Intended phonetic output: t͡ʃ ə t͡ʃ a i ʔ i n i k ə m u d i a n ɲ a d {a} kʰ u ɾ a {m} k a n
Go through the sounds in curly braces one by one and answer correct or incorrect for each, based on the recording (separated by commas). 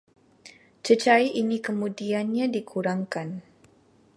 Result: incorrect, incorrect